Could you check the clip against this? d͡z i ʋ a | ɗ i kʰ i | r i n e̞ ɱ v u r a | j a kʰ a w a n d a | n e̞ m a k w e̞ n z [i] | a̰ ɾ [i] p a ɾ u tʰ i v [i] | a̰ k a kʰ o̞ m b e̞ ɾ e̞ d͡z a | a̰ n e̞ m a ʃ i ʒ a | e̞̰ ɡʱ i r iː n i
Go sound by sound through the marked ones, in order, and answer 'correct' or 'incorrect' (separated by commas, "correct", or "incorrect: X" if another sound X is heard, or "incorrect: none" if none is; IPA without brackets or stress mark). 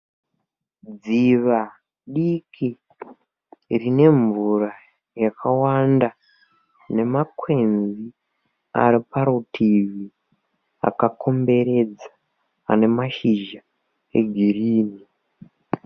correct, correct, correct